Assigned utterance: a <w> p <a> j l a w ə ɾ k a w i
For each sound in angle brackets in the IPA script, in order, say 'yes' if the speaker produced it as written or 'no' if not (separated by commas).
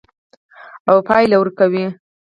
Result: yes, no